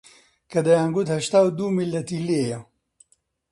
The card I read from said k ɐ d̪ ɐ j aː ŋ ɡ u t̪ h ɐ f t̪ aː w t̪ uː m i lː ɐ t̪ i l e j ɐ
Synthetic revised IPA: k ɐ d̪ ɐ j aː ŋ ɡ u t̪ h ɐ ʃ t̪ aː w d̪ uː m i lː ɐ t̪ i l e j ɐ